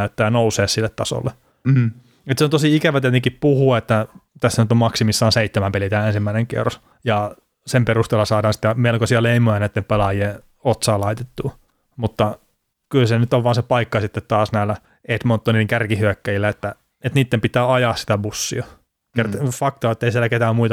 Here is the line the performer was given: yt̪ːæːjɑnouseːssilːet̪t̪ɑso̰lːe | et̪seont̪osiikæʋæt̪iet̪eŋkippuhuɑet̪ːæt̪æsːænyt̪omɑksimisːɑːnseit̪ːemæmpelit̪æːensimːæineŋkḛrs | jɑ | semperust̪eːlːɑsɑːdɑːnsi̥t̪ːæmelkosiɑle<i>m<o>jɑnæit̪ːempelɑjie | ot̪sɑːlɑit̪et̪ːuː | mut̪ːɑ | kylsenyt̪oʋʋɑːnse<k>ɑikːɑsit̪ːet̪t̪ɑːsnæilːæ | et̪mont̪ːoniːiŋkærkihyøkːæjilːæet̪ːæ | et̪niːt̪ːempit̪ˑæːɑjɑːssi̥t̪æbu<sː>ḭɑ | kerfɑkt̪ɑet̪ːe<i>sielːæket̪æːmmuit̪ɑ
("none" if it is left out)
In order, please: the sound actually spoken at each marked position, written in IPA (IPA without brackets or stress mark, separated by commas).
i, o, p, sː, i